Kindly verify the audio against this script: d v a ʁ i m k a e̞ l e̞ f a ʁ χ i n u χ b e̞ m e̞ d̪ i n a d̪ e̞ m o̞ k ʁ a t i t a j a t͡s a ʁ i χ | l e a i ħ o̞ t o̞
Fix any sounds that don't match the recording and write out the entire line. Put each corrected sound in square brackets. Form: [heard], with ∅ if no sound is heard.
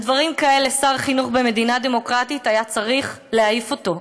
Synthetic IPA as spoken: d v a ʁ i m k a e̞ l e̞ [s] a ʁ χ i n u χ b e̞ m e̞ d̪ i n a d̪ e̞ m o̞ k ʁ a t i t a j a t͡s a ʁ i χ | l e a i [f] o̞ t o̞